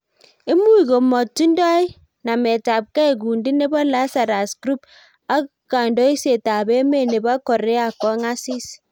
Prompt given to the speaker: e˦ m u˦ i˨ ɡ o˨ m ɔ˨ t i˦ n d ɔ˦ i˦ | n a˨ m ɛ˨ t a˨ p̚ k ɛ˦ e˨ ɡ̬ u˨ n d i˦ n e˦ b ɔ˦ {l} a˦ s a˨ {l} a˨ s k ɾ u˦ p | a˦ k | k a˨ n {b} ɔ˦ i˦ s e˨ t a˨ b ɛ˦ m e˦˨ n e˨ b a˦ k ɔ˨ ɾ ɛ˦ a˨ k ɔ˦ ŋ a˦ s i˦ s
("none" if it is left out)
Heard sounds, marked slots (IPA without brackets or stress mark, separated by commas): l, ɾ, d